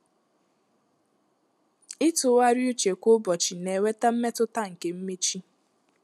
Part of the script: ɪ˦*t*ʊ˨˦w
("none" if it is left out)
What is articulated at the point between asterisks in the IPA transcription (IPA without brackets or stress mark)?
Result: t